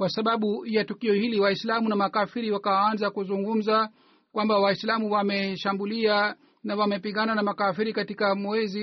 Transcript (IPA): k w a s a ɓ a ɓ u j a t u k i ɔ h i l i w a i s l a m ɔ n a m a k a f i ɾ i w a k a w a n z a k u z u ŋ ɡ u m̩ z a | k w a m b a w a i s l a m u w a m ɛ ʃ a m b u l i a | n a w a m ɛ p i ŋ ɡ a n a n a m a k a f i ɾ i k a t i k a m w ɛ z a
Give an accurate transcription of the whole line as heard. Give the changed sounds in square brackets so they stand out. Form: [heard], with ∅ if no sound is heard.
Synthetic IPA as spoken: k w a s a ɓ a ɓ u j a t u k i ɔ h i l i w a i s l a m [u] n a m a k a f i ɾ i w a k a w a n z a k u z u ŋ ɡ u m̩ z a | k w a m b a w a i s l a m u w a m ɛ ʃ a m b u l i a | n a w a m ɛ p i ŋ ɡ a n a n a m a k a f i ɾ i k a t i k a m w ɛ z [i]